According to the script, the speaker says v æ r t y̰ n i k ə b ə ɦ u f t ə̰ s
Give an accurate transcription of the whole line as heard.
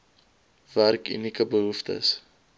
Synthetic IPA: v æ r k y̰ n i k ə b ə ɦ u f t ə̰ s